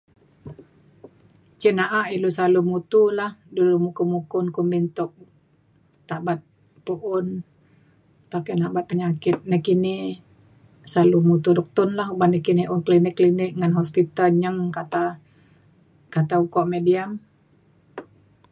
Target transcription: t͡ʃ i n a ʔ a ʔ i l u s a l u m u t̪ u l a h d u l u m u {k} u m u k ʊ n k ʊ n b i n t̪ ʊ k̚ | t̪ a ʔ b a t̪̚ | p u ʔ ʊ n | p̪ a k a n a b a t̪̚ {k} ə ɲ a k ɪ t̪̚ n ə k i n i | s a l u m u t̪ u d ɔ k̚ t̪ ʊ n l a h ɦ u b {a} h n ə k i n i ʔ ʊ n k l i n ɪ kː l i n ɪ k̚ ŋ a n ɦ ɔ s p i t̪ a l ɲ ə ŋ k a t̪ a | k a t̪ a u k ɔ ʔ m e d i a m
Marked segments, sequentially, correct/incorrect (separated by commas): correct, incorrect, correct